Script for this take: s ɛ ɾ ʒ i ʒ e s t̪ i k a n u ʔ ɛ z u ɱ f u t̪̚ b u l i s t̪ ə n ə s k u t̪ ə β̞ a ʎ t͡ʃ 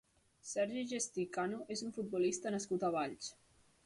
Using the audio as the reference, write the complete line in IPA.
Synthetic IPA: s ɛ ɾ ʒ i ʒ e s t̪ i k a n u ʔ e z u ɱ f u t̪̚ b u l i s t̪ ə n ə s k u t̪ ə β̞ a ʎ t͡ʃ